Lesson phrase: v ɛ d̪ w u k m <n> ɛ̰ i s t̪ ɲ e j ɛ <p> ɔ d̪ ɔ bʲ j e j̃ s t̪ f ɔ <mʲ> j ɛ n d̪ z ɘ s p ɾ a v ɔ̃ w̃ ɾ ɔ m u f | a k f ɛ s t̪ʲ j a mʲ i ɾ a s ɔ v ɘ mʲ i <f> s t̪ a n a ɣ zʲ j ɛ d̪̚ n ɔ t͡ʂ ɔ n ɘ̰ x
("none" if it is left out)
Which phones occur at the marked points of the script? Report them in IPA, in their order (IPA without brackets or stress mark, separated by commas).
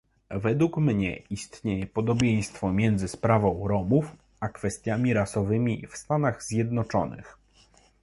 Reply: ɲ, p, mʲ, f